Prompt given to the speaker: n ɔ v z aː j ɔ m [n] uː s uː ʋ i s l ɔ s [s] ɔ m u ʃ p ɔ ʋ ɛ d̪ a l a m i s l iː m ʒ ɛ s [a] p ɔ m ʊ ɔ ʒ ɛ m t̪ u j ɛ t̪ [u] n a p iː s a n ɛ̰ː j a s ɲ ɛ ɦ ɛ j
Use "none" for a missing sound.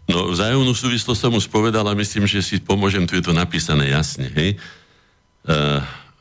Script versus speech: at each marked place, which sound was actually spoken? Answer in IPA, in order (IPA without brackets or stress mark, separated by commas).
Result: n, s, i, ɔ